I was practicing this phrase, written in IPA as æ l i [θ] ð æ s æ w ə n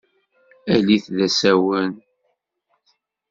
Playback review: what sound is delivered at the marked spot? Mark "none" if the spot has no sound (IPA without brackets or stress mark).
θ